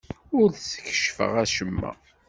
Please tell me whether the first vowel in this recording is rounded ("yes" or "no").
yes